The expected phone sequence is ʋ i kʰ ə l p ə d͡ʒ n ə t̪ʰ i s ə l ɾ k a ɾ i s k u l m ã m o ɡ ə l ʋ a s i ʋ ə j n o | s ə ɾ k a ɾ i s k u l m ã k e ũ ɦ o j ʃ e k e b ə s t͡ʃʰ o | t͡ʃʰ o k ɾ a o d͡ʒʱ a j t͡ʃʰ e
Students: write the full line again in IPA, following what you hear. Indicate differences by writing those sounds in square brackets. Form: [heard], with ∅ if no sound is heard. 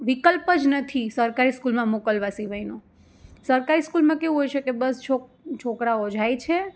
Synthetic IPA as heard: ʋ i [k] ə l p ə d͡ʒ n ə t̪ʰ i s ə [∅] ɾ k a ɾ i s k u l m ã m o [k] ə l ʋ a s i ʋ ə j n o | s ə ɾ k a ɾ i s k u l m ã k e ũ ɦ o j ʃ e k e b ə s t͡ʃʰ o | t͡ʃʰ o k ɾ a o d͡ʒʱ a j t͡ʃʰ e